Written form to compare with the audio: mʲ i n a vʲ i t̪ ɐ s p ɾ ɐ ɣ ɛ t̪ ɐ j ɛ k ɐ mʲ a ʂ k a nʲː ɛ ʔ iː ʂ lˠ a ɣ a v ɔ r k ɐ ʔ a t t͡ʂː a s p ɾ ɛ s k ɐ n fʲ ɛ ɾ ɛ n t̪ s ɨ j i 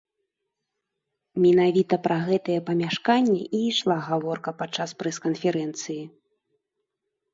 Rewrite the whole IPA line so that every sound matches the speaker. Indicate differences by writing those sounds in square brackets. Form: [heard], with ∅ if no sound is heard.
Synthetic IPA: mʲ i n a vʲ i t̪ ɐ [∅] p ɾ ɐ ɣ ɛ t̪ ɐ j ɛ [p] ɐ mʲ a ʂ k a nʲː ɛ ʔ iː ʂ lˠ a ɣ a v ɔ r k ɐ [p] a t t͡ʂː a s p ɾ ɛ s k ɐ n fʲ ɛ ɾ ɛ n t̪ s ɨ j i